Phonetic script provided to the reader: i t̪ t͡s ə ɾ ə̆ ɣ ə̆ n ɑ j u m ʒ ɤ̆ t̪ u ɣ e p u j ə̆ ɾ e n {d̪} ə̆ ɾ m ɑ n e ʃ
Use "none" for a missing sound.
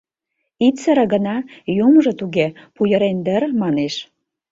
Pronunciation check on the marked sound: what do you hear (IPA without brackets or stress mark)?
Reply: d̪